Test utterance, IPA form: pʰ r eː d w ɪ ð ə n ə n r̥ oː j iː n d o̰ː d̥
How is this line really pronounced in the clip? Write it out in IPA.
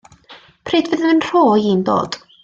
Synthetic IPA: pʰ r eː d v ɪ ð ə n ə n r̥ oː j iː n d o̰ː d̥